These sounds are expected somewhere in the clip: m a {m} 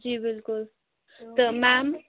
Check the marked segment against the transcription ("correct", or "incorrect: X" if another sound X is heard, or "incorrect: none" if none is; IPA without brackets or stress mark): correct